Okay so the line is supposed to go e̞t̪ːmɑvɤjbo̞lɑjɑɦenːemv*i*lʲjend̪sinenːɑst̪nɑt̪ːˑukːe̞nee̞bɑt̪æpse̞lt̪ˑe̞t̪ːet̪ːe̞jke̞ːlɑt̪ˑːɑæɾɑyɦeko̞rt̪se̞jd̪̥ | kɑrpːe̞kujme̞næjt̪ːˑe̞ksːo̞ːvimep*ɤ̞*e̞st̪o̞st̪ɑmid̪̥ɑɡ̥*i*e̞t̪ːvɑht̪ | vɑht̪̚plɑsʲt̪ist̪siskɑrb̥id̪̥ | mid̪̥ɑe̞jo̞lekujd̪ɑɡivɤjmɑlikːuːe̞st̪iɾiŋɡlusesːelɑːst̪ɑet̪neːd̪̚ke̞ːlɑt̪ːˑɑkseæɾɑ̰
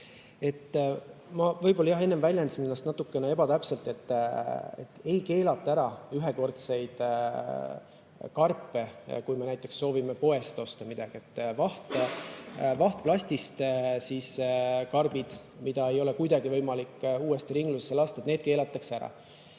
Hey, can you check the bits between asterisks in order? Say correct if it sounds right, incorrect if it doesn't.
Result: incorrect, incorrect, correct

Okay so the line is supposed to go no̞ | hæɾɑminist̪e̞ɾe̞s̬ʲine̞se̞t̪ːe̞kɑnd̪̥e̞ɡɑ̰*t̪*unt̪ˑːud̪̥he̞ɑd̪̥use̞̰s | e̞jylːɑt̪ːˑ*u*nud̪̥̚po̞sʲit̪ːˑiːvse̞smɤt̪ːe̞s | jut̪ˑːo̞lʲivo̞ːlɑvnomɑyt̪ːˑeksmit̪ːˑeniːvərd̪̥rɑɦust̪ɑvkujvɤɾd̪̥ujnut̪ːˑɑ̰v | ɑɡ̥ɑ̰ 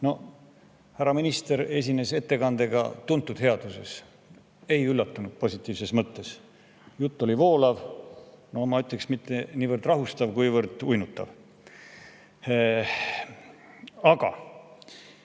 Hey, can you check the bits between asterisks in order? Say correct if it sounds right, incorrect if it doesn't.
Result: correct, correct

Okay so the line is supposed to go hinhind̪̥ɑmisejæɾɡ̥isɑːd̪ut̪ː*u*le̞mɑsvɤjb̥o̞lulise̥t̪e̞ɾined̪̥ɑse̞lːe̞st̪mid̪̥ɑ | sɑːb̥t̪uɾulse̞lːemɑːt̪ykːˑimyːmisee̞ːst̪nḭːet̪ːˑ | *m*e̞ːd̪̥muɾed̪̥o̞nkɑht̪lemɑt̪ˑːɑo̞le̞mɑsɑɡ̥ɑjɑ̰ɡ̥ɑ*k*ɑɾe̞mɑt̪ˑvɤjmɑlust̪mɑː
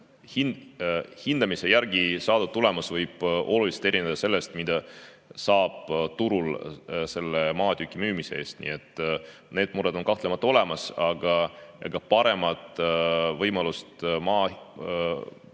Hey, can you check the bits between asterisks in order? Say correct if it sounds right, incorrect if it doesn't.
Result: correct, incorrect, incorrect

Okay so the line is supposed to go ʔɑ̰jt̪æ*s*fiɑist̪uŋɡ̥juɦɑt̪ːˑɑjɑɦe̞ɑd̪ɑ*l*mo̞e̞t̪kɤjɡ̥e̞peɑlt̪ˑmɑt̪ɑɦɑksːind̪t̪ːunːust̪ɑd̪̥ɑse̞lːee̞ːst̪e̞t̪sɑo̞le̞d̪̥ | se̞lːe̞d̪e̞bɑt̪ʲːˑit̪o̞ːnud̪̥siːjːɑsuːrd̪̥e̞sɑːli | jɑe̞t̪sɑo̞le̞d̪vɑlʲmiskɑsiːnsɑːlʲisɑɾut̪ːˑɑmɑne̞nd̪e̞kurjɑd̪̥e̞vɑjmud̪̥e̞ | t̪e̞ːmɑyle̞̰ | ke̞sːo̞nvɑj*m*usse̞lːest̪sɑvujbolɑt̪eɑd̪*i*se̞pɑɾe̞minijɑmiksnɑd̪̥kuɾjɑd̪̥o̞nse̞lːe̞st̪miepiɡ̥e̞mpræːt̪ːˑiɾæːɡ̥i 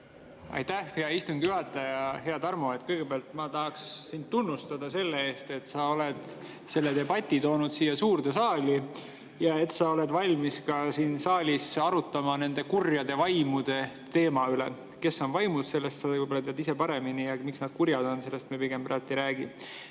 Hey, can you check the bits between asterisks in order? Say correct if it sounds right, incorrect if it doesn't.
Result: incorrect, incorrect, correct, correct

